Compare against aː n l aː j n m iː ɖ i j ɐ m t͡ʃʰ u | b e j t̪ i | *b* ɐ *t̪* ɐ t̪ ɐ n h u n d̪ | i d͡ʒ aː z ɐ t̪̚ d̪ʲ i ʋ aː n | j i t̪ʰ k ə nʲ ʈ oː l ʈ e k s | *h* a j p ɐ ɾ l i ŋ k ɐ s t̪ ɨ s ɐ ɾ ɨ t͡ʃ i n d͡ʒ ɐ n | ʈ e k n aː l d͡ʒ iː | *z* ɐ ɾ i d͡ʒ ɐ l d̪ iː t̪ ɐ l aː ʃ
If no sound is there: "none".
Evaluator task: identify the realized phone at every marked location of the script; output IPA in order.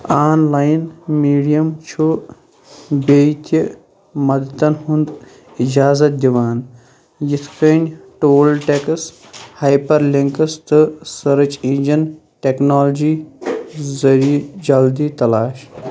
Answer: m, d̪, h, z

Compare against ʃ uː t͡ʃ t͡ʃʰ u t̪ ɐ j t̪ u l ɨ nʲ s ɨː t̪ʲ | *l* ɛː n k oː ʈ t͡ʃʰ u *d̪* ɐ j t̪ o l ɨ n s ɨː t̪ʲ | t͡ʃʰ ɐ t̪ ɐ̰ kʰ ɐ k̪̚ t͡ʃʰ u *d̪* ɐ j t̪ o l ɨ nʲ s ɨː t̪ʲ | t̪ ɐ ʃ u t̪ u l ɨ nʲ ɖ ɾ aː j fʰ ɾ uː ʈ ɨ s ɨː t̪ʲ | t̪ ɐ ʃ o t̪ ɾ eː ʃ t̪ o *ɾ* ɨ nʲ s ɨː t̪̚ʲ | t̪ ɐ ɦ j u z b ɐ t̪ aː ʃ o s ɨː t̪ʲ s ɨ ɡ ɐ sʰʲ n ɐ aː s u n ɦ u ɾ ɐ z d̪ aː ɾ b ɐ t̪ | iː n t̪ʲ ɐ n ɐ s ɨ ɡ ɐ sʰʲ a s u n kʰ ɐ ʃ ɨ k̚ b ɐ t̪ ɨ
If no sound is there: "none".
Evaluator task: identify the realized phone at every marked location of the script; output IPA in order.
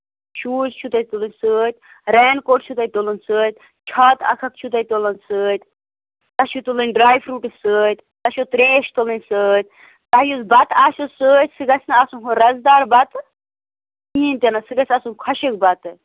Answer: ɾ, t̪, t̪, l

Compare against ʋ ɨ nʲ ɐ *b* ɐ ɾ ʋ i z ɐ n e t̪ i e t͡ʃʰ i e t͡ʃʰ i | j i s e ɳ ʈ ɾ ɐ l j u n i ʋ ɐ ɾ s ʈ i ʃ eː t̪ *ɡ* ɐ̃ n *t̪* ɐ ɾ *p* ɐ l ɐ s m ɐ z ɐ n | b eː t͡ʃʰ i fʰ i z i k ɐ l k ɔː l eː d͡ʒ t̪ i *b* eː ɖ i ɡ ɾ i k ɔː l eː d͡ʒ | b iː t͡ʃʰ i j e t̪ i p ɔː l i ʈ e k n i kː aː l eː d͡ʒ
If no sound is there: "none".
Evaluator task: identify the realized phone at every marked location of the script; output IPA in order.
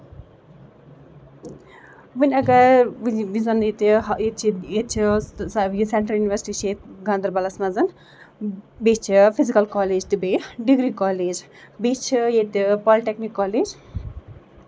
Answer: ɡ, ɡ, d̪, b, b

